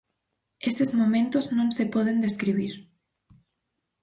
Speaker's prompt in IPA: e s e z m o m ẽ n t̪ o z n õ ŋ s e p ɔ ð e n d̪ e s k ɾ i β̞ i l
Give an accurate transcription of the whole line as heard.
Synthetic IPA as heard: e s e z m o m ẽ n t̪ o z n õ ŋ s e p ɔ ð e n d̪ e s k ɾ i β̞ i ɾ